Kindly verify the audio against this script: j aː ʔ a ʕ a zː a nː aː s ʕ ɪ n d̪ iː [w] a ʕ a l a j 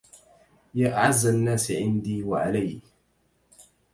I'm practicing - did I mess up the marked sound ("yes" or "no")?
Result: no